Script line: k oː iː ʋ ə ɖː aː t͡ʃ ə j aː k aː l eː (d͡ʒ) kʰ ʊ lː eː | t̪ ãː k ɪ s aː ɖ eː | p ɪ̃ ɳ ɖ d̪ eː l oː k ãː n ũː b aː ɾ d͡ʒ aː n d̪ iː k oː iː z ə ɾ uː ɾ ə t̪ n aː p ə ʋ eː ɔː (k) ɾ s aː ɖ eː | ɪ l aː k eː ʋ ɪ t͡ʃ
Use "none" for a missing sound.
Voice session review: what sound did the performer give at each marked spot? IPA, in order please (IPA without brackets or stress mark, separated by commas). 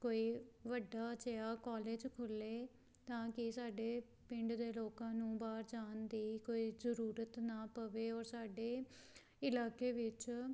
d͡ʒ, none